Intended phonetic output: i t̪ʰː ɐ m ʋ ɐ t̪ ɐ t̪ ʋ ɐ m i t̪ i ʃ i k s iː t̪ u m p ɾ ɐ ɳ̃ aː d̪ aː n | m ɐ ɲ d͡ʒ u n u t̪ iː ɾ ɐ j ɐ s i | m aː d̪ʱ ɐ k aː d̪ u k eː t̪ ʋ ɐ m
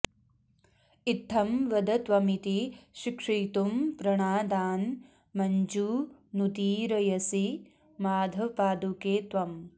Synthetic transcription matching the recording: i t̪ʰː ɐ m ʋ ɐ d̪ ɐ t̪ ʋ ɐ m i t̪ i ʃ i k ʂ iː t̪ u m p ɾ ɐ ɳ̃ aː d̪ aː n | m ɐ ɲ d͡ʒ u n u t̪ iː ɾ ɐ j ɐ s i | m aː d̪ʱ ɐ p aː d̪ u k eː t̪ ʋ ɐ m

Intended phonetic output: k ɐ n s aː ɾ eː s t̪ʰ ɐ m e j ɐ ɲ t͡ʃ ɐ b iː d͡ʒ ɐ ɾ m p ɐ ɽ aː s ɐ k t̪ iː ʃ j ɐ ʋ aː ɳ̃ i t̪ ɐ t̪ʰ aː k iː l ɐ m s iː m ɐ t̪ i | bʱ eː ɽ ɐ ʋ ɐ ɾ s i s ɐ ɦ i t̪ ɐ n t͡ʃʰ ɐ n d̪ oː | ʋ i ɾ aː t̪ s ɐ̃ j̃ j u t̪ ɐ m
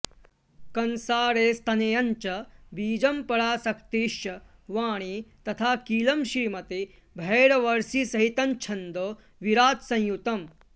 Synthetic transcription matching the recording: k ɐ n s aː ɾ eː s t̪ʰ ɐ n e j ɐ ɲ t͡ʃ ɐ b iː d͡ʒ ɐ m p ɐ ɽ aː s ɐ k t̪ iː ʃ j ɐ ʋ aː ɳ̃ i t̪ ɐ t̪ʰ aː k iː l ɐ m ʃ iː m ɐ t̪ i | bʱ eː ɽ ɐ ʋ ɐ ɾ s i s ɐ ɦ i t̪ ɐ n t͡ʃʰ ɐ n d̪ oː | ʋ i ɾ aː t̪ s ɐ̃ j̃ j u t̪ ɐ m

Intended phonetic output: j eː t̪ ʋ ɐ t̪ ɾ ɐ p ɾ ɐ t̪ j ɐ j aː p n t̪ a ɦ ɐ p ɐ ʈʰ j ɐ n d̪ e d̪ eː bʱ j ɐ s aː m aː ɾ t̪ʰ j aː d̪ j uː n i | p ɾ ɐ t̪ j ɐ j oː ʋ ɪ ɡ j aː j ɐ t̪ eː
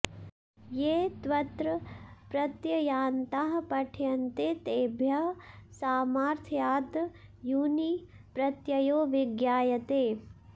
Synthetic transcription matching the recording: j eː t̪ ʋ ɐ t̪ ɾ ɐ p ɾ ɐ t̪ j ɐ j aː n t̪ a ɦ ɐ p ɐ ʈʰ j ɐ n t̪ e t̪ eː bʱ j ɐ s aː m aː ɾ t̪ʰ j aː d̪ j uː n i | p ɾ ɐ t̪ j ɐ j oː ʋ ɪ ɡ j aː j ɐ t̪ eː

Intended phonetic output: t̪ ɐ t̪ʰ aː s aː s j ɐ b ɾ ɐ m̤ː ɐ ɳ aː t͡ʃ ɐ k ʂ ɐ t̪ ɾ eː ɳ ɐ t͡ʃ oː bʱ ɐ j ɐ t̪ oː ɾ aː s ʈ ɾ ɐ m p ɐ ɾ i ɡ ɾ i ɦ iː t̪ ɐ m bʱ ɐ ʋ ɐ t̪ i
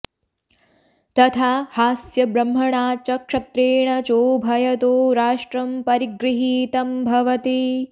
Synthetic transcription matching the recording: t̪ ɐ t̪ʰ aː h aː s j ɐ b ɾ ɐ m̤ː ɐ ɳ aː t͡ʃ ɐ k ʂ ɐ t̪ ɾ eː ɳ ɐ t͡ʃ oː bʱ ɐ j ɐ t̪ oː ɾ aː ʂ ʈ ɾ ɐ m p ɐ ɾ i ɡ ɾ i ɦ iː t̪ ɐ m bʱ ɐ ʋ ɐ t̪ i

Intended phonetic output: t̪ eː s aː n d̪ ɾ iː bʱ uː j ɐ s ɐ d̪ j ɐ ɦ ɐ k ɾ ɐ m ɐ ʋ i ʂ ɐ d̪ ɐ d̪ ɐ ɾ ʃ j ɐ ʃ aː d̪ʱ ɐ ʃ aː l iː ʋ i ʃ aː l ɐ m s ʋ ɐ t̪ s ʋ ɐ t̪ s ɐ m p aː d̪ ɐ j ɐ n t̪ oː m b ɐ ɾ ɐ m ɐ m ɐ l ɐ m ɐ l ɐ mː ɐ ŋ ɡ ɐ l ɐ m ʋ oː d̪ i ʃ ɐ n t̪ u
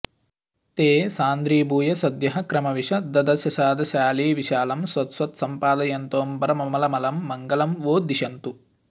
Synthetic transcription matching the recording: t̪ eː s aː n d̪ ɾ iː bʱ uː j ɐ s ɐ d̪ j ɐ ɦ ɐ k ɾ ɐ m ɐ ʋ i ʂ ɐ d̪ ɐ d̪ ɐ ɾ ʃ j ɐ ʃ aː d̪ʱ ɐ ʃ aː l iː ʋ i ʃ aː l ɐ m s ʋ ɐ t̪ s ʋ ɐ t̪ s ɐ m p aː d̪ ɐ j ɐ n t̪ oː m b ɐ ɾ ɐ m ɐ m ɐ l ɐ m ɐ l ɐ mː ɐ ŋ ɡ ɐ l ɐ m ʋ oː d̪ i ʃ ɐ n t̪ u

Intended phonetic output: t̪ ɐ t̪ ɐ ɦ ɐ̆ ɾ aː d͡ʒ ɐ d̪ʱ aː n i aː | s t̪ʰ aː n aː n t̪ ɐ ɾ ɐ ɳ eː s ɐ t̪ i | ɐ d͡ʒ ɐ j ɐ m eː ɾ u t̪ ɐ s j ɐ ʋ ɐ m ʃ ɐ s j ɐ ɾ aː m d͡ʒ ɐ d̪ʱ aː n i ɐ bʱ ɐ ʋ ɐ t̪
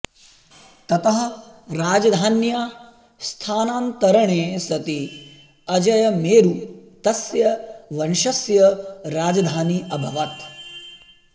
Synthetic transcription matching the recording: t̪ ɐ t̪ ɐ ɦ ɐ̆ ɾ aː d͡ʒ ɐ d̪ʱ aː n j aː | s t̪ʰ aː n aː n t̪ ɐ ɾ ɐ ɳ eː s ɐ t̪ i | ɐ d͡ʒ ɐ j ɐ m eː ɾ u t̪ ɐ s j ɐ ʋ ɐ n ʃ ɐ s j ɐ ɾ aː d͡ʒ ɐ d̪ʱ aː n i ɐ bʱ ɐ ʋ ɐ t̪

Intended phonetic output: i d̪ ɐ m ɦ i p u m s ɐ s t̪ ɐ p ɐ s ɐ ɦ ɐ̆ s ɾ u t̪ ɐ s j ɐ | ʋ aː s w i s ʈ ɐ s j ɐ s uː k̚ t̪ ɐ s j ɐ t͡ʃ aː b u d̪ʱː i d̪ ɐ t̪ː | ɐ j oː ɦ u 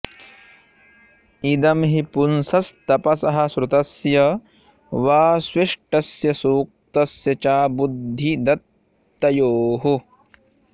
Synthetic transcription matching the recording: i d̪ ɐ m ɦ i p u n s ɐ s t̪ ɐ p ɐ s ɐ ɦ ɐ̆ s ɾ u t̪ ɐ s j ɐ | ʋ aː s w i ʂ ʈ ɐ s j ɐ s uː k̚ t̪ ɐ s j ɐ t͡ʃ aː b u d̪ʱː i d̪ ɐ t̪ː | ɐ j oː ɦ u

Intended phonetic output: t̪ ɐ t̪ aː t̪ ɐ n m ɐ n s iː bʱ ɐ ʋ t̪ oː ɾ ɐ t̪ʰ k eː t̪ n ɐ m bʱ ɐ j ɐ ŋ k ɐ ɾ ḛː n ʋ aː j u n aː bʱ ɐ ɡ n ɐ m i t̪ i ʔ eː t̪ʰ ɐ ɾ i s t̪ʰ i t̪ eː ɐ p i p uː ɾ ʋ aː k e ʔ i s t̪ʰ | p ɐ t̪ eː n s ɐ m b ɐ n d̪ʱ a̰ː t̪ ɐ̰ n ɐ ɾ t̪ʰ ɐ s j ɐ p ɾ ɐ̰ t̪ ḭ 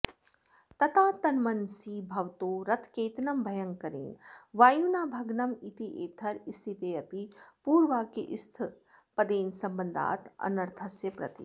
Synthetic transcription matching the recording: t̪ ɐ t̪ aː t̪ ɐ n m ɐ n s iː bʱ ɐ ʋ t̪ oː ɾ ɐ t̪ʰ k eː t̪ n ɐ m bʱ ɐ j ɐ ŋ k ɐ ɾ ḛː n ʋ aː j u n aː bʱ ɐ ɡ n ɐ m i t̪ i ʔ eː t̪ʰ ɐ ɾ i s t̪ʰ i t̪ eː ɐ p i p uː ɾ ʋ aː k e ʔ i s t̪ʰ | p ɐ d̪ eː n s ɐ m b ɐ n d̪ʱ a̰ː t̪ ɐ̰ n ɐ ɾ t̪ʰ ɐ s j ɐ p ɾ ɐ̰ t̪ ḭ

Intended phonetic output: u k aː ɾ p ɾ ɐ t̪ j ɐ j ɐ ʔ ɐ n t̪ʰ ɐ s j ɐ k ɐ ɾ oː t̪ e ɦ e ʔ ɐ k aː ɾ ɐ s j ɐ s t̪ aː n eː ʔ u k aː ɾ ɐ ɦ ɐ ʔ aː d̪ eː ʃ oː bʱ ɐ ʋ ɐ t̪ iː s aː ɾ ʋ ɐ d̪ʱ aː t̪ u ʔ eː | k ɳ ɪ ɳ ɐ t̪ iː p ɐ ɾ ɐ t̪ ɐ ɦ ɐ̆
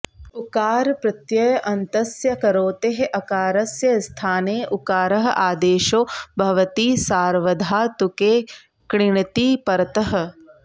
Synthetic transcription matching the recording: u k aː ɾ p ɾ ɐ t̪ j ɐ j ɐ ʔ ɐ n t̪ ɐ s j ɐ k ɐ ɾ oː t̪ e ɦ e ʔ ɐ k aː ɾ ɐ s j ɐ s t̪ʰ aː n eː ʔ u k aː ɾ ɐ ɦ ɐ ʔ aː d̪ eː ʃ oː bʱ ɐ ʋ ɐ t̪ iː s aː ɾ ʋ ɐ d̪ʱ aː t̪ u k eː | k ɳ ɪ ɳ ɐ t̪ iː p ɐ ɾ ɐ t̪ ɐ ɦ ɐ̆

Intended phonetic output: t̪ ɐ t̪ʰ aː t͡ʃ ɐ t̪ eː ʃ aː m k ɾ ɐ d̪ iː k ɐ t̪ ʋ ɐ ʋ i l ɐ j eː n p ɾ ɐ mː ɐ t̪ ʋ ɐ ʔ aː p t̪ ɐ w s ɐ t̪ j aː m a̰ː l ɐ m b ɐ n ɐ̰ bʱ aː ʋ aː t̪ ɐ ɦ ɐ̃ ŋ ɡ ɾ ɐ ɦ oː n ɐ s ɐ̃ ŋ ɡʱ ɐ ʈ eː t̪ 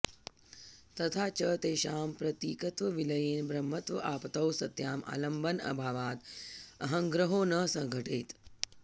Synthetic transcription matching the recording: t̪ ɐ t̪ʰ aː t͡ʃ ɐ t̪ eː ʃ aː m p ɾ ɐ t̪ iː k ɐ t̪ ʋ ɐ ʋ i l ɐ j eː n b ɾ ɐ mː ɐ t̪ ʋ ɐ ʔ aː p t̪ ɐ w s ɐ t̪ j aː m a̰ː l ɐ m b ɐ n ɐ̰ bʱ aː ʋ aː t̪ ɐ ɦ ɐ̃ ŋ ɡ ɾ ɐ ɦ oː n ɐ s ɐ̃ ŋ ɡʱ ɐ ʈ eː t̪

